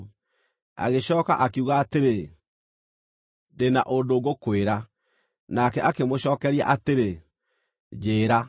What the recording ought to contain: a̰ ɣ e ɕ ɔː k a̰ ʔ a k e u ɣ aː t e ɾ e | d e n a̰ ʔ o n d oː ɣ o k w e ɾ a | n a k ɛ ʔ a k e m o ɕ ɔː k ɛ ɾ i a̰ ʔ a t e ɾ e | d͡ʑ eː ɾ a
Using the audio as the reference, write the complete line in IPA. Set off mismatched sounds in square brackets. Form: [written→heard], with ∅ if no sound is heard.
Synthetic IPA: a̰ ɣ e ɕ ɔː k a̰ ʔ a k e u ɣ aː t e ɾ e | d e n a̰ ʔ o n d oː ɣ o k w e ɾ a | n a k ɛ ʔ a k e m o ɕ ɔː k ɛ ɾ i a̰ ʔ a t e ɾ e | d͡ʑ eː ɾ a